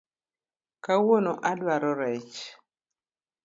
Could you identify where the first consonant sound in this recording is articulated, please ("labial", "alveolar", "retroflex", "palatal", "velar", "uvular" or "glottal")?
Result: velar